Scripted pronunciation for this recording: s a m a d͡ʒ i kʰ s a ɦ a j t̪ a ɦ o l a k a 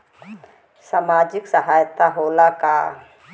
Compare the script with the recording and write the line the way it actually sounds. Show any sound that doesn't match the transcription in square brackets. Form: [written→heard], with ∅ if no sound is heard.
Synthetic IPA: s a m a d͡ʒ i [kʰ→k] s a ɦ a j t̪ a ɦ o l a k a